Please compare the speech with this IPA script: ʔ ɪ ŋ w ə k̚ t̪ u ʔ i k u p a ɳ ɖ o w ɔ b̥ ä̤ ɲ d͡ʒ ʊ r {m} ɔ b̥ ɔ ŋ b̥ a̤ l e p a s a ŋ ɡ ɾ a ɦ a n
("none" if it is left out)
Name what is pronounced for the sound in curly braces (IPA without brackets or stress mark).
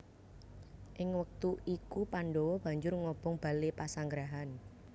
ŋ